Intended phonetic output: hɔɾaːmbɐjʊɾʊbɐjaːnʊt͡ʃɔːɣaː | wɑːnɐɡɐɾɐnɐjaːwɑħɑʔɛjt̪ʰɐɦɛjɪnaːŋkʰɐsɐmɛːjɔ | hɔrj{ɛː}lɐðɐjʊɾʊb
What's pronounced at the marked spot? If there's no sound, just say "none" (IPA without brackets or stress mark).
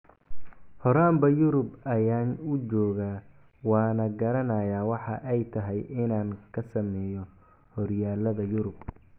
aː